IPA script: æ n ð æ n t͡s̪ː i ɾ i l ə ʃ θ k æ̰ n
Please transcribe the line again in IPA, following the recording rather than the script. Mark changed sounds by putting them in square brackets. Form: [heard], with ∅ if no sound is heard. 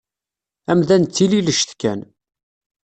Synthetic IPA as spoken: æ [m] ð æ n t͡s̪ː i [l] i l ə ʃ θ k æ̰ n